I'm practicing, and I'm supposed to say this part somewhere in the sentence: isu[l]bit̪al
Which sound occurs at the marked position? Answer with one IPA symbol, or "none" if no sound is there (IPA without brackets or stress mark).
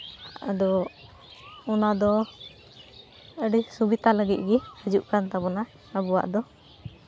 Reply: none